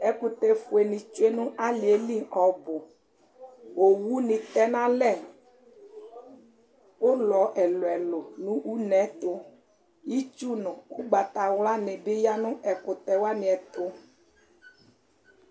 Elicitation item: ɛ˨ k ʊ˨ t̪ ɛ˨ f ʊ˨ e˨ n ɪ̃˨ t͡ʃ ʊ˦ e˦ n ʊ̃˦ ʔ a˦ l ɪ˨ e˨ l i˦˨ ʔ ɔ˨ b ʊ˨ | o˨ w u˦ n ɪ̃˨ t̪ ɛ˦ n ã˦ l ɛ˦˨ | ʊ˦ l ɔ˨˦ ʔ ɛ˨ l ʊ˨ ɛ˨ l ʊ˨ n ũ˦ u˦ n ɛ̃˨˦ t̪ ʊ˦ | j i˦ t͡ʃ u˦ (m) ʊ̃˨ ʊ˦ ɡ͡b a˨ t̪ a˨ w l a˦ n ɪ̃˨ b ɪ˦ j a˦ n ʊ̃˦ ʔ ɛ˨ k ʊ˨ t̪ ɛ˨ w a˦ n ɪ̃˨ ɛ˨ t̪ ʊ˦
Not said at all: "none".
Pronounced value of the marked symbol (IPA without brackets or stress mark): n